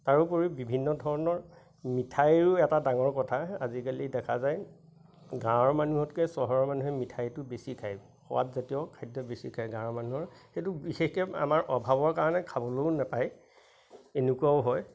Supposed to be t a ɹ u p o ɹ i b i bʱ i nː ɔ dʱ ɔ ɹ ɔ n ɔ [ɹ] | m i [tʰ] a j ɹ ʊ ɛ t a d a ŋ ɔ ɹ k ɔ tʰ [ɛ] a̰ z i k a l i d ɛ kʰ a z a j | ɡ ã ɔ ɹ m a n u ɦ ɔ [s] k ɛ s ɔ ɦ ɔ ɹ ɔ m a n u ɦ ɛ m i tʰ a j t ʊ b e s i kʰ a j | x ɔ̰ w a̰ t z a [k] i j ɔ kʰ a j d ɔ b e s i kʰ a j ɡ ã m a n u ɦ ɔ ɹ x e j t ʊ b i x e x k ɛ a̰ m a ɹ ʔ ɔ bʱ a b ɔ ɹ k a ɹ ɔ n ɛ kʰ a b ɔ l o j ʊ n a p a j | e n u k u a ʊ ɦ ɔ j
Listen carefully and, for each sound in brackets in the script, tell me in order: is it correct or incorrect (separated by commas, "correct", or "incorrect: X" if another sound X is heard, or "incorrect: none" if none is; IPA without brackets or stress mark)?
correct, correct, incorrect: a, incorrect: t, incorrect: t